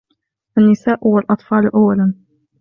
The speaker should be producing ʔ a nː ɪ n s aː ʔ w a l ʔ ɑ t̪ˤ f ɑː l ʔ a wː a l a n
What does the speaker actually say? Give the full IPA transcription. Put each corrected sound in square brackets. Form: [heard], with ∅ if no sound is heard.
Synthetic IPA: ʔ a nː ɪ [∅] s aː ʔ w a l ʔ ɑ t̪ˤ f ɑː l ʔ a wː a l a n

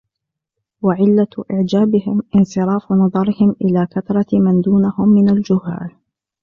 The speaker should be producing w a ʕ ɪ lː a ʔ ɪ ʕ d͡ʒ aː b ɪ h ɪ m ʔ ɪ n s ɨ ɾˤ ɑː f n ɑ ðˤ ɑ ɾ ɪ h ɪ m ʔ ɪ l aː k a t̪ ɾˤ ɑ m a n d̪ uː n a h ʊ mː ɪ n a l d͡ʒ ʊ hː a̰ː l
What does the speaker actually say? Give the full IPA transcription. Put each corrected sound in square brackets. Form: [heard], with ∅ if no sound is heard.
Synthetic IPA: w a ʕ ɪ lː a ʔ ɪ ʕ d͡ʒ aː b ɪ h ɪ m ʔ ɪ n s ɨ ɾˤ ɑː f n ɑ ðˤ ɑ ɾ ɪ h ɪ m ʔ ɪ l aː k a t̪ ɾˤ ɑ m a n d̪ uː n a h ʊ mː ɪ n a l d͡ʒ ʊ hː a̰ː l

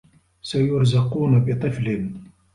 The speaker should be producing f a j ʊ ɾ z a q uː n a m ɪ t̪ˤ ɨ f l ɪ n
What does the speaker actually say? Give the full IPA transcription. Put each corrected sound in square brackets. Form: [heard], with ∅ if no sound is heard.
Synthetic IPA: [s] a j ʊ ɾ z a q uː n a [b] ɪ t̪ˤ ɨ f l ɪ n

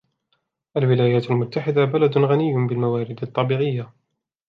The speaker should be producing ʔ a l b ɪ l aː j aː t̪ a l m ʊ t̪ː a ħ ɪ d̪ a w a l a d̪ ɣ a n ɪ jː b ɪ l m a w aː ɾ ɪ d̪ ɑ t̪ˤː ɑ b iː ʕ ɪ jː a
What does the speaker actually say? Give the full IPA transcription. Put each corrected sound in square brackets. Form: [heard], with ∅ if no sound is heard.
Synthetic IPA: ʔ a l [w] ɪ l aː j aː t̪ a l m ʊ t̪ː a ħ ɪ d̪ a [b] a l a d̪ ɣ a n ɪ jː b ɪ l m a w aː ɾ ɪ d̪ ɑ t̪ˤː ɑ b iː ʕ ɪ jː a

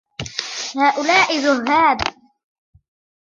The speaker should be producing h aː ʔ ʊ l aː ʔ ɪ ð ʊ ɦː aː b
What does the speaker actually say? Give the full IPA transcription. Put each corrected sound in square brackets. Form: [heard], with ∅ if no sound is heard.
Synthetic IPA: h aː ʔ ʊ l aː ʔ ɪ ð ʊ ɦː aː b

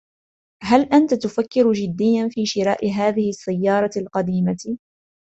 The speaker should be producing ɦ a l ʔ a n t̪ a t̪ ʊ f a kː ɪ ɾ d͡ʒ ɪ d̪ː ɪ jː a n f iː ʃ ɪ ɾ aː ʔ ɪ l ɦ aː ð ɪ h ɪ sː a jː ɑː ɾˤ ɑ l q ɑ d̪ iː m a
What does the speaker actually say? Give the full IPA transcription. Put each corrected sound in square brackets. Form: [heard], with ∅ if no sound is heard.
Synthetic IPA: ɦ a l ʔ a n t̪ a t̪ ʊ f a kː ɪ ɾ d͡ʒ ɪ d̪ː ɪ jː a n f iː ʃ ɪ ɾ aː ʔ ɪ [∅] ɦ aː ð ɪ h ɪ sː a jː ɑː ɾˤ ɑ l q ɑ d̪ iː m a

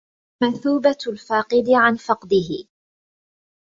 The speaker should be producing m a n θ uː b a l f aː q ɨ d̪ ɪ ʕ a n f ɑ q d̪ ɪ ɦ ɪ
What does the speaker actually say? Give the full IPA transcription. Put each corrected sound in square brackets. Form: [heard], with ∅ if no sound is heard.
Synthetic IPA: m a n θ uː b a l f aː q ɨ d̪ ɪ ʕ a n f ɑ q d̪ ɪ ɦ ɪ

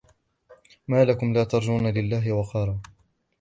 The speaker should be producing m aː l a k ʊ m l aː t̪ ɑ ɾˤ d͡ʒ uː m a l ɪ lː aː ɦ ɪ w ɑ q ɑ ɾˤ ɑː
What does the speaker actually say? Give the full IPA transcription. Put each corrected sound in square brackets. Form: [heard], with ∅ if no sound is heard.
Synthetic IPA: m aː l a k ʊ m l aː t̪ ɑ ɾˤ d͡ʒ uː [n] a l ɪ lː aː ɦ ɪ w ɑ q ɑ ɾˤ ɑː

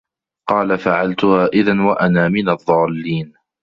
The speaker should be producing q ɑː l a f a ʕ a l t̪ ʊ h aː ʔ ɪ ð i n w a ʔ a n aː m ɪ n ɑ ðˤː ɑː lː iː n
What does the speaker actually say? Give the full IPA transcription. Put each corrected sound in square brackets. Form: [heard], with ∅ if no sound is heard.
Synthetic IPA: q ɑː l a f a ʕ a l t̪ ʊ h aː ʔ ɪ ð [a] n w a ʔ a n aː m ɪ n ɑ ðˤː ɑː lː iː n

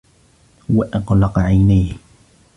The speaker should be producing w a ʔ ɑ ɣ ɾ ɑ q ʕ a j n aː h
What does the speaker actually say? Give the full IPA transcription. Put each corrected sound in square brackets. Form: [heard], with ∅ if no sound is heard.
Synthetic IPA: w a ʔ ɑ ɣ [l] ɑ q ʕ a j n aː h

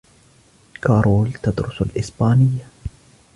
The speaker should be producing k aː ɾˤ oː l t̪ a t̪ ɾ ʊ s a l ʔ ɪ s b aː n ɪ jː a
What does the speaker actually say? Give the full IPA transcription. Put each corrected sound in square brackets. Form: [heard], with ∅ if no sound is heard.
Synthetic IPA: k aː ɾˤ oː l t̪ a [d̪] ɾ ʊ s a l ʔ ɪ s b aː n ɪ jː a

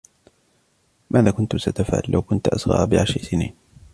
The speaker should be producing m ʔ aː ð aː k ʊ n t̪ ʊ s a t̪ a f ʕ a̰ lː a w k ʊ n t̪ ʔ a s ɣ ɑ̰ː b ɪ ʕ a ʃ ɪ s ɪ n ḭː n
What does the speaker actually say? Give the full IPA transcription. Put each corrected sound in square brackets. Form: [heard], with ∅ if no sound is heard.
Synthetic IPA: m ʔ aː ð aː k ʊ n t̪ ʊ s a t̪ a f ʕ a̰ lː a w k ʊ n t̪ ʔ a s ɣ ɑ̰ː b ɪ ʕ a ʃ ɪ s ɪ n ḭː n

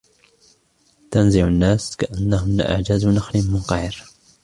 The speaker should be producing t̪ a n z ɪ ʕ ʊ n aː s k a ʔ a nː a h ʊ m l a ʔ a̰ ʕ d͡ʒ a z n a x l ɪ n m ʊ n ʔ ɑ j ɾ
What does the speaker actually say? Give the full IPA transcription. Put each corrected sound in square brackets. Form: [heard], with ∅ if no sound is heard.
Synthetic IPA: t̪ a n z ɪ ʕ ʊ [nː] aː s k a ʔ a nː a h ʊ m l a ʔ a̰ ʕ d͡ʒ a z n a x l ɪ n m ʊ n [q] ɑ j ɾ

